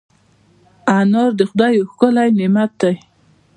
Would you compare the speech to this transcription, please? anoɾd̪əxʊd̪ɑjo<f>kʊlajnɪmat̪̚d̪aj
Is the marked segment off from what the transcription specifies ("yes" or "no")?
yes